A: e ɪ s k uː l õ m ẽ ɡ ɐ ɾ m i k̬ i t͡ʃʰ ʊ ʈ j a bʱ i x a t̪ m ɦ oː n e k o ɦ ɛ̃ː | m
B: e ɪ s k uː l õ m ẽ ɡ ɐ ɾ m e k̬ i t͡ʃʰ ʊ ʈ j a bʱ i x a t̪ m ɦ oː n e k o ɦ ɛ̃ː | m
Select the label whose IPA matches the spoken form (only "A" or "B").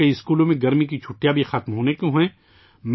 A